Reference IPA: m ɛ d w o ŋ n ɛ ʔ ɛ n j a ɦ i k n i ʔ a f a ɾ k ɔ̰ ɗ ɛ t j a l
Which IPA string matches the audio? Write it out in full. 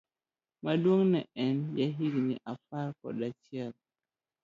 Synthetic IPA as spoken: m a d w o ŋ n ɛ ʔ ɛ n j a ɦ i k n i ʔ a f a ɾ k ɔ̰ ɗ a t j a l

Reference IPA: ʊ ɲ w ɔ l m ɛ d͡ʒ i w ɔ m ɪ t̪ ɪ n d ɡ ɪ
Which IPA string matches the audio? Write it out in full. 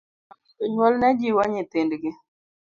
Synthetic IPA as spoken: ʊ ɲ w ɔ l n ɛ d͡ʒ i w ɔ ɲ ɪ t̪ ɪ n d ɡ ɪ

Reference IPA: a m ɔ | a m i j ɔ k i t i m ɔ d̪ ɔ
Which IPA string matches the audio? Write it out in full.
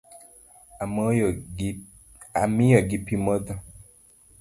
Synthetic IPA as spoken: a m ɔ | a m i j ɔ ɡ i p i m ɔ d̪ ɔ

